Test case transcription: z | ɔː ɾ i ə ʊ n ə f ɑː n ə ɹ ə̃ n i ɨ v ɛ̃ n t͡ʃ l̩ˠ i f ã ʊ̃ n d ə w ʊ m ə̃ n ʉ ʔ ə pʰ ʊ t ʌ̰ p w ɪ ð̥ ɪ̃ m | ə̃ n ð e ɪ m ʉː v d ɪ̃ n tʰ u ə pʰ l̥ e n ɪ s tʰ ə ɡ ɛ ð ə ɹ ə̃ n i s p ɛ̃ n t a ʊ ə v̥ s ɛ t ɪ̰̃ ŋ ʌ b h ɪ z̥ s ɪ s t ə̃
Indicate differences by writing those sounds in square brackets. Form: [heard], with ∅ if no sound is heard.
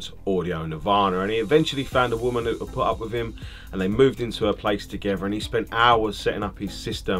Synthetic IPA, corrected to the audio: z | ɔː ɾ i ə ʊ n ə [v] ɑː n ə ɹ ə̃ n i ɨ v ɛ̃ n t͡ʃ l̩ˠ i f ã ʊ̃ n d ə w ʊ m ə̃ n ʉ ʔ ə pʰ ʊ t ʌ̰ p w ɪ ð̥ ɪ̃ m | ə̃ n ð e ɪ m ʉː v d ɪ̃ n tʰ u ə pʰ l̥ e [∅] ɪ s tʰ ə ɡ ɛ ð ə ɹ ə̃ n i s p ɛ̃ n t a ʊ ə [z̥] s ɛ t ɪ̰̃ ŋ ʌ [p] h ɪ z̥ s ɪ s t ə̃

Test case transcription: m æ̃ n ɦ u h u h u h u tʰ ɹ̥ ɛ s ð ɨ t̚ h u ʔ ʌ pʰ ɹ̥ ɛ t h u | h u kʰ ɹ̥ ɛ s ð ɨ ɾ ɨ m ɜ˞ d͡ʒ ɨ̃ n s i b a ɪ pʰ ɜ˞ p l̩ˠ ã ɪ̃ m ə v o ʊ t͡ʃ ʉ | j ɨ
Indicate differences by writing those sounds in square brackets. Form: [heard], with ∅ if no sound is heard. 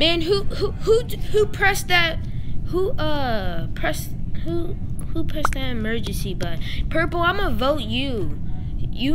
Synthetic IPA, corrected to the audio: m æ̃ n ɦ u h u h u h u [pʰ] ɹ̥ ɛ s ð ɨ t̚ h u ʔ ʌ pʰ ɹ̥ ɛ [s] h u | h u [pʰ] ɹ̥ ɛ s ð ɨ ɾ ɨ m ɜ˞ d͡ʒ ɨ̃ n s i b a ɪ pʰ ɜ˞ p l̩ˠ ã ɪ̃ m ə v o ʊ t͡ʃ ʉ | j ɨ

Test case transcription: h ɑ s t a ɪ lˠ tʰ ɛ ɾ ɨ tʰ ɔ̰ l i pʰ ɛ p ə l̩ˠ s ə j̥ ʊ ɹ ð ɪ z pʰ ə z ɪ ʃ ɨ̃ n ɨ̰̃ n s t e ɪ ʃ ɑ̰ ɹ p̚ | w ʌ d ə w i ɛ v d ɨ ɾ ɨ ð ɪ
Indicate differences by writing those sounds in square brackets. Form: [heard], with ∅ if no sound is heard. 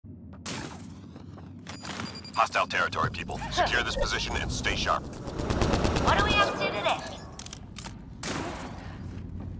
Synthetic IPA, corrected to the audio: h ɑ s t a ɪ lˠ tʰ ɛ [ɹ] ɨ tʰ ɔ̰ [ɹ] i pʰ [i] p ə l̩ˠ s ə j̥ ʊ ɹ ð ɪ [s] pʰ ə z ɪ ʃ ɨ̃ n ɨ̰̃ n s t e ɪ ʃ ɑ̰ ɹ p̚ | w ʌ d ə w i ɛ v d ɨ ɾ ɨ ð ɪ

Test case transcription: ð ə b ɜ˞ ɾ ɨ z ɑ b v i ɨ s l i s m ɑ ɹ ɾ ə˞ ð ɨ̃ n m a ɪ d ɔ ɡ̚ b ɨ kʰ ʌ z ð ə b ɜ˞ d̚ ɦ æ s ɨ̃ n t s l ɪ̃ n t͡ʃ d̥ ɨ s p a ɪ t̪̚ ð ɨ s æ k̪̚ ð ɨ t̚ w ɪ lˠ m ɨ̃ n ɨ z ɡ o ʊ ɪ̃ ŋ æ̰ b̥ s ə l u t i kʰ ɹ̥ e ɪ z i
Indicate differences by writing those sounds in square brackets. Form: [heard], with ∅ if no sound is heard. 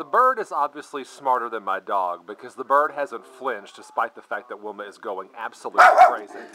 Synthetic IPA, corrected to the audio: ð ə b ɜ˞ ɾ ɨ z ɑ b v i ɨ s l i s m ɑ ɹ ɾ ə˞ ð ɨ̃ n m a ɪ d ɔ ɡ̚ b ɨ kʰ ʌ z ð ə b ɜ˞ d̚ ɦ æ [z] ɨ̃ n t [f] l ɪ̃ n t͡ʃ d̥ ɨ s p a ɪ t̪̚ ð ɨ [f] æ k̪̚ ð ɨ t̚ w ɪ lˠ m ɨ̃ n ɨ z ɡ o ʊ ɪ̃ ŋ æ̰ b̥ s ə l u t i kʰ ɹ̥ e ɪ z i

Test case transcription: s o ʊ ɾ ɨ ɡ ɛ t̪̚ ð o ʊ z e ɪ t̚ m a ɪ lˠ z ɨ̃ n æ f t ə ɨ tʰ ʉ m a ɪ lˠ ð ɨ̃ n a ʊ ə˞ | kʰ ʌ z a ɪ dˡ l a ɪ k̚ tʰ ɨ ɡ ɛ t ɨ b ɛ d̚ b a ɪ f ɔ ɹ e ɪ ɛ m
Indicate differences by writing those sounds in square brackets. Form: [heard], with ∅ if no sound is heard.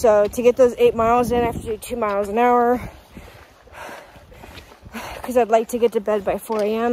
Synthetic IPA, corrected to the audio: s o ʊ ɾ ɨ ɡ ɛ t̪̚ ð o ʊ z e ɪ t̚ m a ɪ lˠ z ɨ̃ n æ f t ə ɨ tʰ ʉ m a ɪ lˠ [z] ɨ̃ n a ʊ ə˞ | kʰ ʌ z a ɪ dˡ l a ɪ k̚ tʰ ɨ ɡ ɛ t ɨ b ɛ d̚ b a ɪ f ɔ ɹ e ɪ [ɛ̃] m

